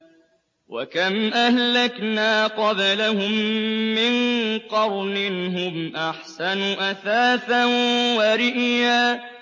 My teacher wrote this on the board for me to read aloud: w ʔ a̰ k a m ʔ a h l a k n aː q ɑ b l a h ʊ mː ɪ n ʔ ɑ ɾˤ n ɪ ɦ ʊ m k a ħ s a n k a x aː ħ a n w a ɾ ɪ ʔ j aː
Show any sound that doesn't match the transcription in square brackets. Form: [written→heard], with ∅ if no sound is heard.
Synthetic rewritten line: w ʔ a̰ k a m ʔ a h l a k n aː q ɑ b l a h ʊ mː ɪ n [ʔ→q] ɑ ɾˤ n ɪ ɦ ʊ m [k→ʔ] a ħ s a n [k→ʔ] a [x→θ] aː [ħ→θ] a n w a ɾ ɪ ʔ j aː